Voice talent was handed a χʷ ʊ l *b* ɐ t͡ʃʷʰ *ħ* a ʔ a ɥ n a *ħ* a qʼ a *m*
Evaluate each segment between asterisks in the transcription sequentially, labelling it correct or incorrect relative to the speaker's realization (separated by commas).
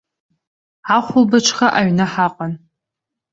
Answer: correct, incorrect, correct, incorrect